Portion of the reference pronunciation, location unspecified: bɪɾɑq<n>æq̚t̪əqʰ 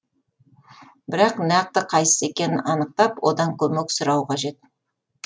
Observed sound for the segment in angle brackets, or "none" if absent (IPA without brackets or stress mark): n